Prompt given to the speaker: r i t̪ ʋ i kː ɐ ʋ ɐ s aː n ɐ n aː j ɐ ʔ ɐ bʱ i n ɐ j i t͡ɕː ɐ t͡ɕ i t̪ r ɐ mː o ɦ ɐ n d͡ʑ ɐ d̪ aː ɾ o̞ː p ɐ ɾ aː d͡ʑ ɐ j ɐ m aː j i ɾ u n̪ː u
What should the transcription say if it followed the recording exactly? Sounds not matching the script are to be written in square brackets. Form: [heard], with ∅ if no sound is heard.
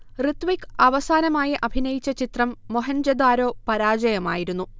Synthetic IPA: r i t̪ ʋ i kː ɐ ʋ ɐ s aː n ɐ [m] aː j ɐ ʔ ɐ bʱ i n ɐ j i t͡ɕː ɐ t͡ɕ i t̪ r ɐ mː o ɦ ɐ n d͡ʑ ɐ d̪ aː ɾ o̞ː p ɐ ɾ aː d͡ʑ ɐ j ɐ m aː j i ɾ u n̪ː u